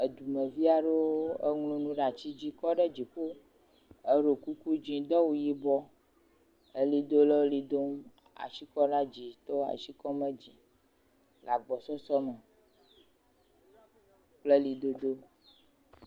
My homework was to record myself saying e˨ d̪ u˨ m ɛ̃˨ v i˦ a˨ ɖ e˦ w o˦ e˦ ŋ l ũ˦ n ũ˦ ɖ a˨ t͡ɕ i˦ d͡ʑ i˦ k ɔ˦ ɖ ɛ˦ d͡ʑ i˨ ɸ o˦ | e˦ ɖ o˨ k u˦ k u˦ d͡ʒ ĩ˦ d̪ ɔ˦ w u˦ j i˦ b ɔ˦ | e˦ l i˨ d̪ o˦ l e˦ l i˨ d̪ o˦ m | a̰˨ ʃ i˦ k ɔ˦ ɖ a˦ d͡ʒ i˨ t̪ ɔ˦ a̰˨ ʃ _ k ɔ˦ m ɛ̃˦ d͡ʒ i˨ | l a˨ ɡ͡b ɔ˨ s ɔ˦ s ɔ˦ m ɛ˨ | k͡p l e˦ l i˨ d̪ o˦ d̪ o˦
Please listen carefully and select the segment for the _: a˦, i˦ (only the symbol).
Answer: i˦